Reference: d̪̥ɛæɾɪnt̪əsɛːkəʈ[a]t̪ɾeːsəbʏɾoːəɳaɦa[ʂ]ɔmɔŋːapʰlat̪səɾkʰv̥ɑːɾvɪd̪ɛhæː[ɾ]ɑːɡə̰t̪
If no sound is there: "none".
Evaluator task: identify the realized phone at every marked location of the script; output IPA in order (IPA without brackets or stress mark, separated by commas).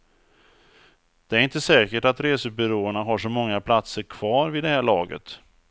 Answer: a, ʂ, ɭ